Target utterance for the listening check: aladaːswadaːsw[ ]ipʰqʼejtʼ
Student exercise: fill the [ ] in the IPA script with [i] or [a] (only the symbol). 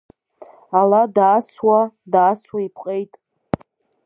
a